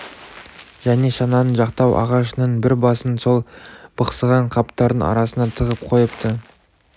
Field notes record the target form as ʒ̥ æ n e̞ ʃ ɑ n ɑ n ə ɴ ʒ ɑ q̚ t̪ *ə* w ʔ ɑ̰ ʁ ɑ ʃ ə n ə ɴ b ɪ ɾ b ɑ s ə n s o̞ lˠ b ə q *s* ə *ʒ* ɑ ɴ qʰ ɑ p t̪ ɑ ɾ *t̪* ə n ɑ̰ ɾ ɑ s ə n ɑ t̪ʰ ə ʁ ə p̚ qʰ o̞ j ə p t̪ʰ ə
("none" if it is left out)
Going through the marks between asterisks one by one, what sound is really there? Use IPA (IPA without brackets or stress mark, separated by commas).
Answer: ɑ, s, ʁ, d̪